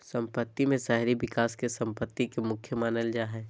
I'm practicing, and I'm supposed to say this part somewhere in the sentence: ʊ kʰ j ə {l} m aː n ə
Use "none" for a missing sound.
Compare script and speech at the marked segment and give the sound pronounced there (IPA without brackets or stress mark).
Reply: none